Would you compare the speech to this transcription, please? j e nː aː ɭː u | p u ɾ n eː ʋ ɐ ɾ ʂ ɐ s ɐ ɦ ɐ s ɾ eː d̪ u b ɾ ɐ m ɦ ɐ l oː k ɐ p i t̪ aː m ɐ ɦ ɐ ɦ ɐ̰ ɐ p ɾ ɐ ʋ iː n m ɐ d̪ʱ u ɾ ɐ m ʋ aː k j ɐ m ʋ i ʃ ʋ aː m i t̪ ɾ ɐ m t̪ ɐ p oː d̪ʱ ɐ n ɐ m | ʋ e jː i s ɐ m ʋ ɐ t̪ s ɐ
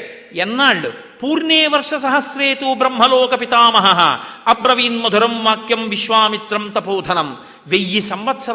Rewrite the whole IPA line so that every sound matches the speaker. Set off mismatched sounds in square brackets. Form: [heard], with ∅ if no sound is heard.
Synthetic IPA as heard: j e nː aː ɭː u | p [uː] ɾ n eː ʋ ɐ ɾ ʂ ɐ s ɐ ɦ ɐ s ɾ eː [t̪] u b ɾ ɐ m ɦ ɐ l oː k ɐ p i t̪ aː m ɐ ɦ ɐ ɦ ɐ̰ ɐ p ɾ ɐ ʋ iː n m ɐ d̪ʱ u ɾ ɐ m ʋ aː k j ɐ m ʋ i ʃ ʋ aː m i t̪ ɾ ɐ m t̪ ɐ p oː d̪ʱ ɐ n ɐ m | ʋ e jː i s ɐ m ʋ ɐ t̪ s ɐ